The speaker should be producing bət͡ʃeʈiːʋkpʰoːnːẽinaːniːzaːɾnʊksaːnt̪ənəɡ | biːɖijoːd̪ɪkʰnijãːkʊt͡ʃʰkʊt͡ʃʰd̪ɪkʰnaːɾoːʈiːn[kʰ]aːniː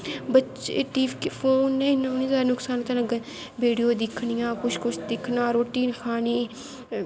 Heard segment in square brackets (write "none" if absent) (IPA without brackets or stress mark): kʰ